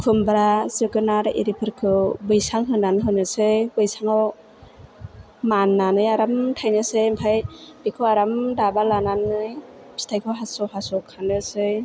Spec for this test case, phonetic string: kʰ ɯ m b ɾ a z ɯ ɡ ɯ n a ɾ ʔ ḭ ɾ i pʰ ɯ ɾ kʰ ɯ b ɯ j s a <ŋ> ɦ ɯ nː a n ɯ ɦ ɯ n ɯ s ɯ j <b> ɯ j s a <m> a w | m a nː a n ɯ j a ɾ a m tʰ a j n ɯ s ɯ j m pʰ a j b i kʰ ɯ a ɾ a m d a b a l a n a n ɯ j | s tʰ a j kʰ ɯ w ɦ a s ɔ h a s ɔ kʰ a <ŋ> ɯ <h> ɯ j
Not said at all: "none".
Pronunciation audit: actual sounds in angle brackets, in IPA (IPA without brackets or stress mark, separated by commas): ŋ, b, ŋ, n, s